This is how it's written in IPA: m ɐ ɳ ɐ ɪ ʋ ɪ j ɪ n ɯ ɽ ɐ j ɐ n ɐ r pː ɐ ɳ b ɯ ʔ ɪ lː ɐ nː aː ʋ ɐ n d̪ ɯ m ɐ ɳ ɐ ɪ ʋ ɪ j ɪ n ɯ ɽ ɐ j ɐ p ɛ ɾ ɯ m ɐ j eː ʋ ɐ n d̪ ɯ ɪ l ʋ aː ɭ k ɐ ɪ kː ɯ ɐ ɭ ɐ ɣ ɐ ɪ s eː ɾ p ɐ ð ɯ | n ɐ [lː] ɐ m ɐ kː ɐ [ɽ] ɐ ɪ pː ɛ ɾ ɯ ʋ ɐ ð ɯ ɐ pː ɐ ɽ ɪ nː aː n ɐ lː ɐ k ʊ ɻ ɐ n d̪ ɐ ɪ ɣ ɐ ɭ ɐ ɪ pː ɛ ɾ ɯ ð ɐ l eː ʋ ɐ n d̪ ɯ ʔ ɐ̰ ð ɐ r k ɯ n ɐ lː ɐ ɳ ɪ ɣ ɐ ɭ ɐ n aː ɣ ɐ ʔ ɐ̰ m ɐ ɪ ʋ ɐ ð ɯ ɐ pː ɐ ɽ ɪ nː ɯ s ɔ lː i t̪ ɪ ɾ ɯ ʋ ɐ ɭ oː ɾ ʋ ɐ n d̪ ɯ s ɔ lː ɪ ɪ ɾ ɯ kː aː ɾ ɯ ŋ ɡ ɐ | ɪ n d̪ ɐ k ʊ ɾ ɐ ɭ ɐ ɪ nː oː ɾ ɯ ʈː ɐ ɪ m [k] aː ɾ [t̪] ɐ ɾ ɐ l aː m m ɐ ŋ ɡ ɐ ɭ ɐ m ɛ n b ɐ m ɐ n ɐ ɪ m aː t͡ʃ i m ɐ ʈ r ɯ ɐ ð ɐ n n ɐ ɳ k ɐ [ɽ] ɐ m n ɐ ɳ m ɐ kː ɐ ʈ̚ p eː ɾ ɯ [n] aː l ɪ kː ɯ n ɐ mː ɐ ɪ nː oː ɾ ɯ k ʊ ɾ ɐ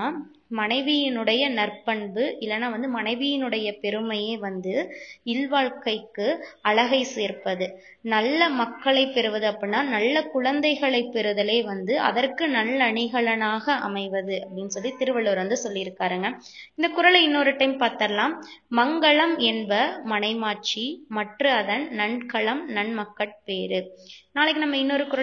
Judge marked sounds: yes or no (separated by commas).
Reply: yes, no, no, yes, no, yes